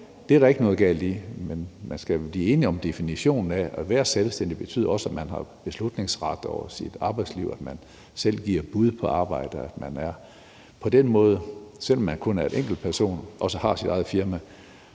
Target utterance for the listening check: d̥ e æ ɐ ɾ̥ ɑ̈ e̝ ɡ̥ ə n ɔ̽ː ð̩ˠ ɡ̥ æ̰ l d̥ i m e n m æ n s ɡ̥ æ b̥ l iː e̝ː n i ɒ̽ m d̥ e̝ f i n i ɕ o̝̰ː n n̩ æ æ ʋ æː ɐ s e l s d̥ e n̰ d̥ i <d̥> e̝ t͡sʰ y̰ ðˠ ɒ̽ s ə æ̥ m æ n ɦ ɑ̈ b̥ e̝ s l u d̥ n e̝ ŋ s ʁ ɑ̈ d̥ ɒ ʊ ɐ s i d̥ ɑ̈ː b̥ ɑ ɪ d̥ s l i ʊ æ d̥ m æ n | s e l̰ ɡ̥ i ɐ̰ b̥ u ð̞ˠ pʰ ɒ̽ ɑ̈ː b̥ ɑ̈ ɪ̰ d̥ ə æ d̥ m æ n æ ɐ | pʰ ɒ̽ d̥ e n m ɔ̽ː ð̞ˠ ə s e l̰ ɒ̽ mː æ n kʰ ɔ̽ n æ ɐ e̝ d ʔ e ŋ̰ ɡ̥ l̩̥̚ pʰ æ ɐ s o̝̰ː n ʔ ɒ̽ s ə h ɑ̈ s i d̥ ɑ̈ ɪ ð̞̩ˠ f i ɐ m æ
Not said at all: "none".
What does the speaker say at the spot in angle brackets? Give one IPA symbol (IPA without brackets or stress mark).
b̥